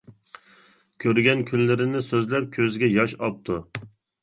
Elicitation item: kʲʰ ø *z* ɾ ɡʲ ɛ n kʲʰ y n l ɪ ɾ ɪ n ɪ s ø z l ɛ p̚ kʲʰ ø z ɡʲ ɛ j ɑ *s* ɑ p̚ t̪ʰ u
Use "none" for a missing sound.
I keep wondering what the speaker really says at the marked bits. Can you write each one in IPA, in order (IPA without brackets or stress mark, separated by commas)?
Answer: none, ʃ